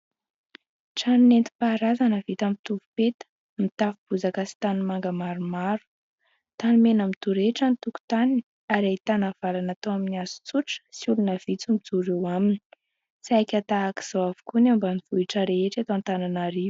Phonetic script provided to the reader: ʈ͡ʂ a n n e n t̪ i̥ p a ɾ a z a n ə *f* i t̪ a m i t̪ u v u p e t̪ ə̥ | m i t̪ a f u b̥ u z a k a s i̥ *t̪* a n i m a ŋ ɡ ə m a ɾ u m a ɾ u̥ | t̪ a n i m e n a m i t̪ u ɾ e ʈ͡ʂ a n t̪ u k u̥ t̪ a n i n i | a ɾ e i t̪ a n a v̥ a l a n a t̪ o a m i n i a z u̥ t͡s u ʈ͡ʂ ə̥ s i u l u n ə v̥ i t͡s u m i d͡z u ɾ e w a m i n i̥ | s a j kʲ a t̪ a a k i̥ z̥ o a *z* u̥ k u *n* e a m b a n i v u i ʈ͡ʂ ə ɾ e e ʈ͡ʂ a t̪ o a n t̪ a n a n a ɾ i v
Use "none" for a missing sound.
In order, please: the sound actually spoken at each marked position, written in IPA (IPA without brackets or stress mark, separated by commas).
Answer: v, t̪, v, n